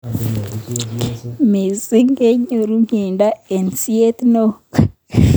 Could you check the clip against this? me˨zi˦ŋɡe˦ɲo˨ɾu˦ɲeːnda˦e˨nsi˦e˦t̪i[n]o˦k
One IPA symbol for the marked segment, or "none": n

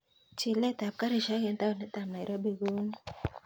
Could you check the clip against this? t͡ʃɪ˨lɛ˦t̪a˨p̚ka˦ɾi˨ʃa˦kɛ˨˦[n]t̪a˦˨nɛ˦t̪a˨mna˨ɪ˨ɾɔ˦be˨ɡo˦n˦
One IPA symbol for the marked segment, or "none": n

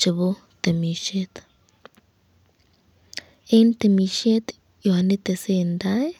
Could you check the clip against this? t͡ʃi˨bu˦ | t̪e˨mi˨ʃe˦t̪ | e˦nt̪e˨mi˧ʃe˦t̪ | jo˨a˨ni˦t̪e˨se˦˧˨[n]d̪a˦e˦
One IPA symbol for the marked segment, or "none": n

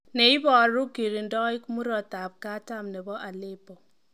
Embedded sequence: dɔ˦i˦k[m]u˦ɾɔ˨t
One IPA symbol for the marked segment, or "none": m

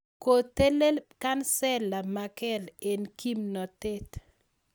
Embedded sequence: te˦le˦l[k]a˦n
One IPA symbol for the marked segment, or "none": k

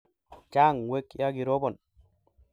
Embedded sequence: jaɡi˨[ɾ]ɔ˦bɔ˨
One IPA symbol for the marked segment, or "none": ɾ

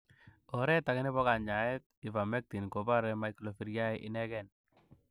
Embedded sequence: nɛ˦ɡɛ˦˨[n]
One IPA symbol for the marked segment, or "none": n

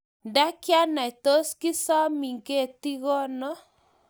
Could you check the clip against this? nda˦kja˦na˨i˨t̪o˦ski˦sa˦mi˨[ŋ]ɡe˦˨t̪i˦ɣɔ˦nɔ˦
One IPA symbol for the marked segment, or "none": ŋ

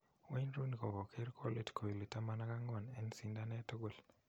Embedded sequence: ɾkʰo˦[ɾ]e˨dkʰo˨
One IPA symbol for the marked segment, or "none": l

